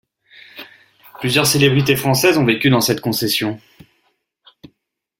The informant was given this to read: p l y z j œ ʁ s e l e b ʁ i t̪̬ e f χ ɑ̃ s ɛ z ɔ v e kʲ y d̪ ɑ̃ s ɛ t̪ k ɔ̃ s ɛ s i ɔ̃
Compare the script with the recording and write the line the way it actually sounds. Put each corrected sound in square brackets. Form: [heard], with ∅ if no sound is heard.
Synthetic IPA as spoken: p l y z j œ ʁ s e l e b ʁ i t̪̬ e f χ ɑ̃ s ɛ z [ɔ̃] v e kʲ y d̪ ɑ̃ s ɛ t̪ k ɔ̃ s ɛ s [j] ɔ̃